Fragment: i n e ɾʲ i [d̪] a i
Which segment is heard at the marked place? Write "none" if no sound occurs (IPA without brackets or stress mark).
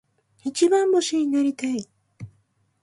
t̪